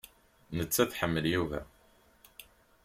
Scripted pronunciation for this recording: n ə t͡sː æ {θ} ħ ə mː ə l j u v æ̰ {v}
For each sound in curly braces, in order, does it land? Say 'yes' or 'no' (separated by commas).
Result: yes, no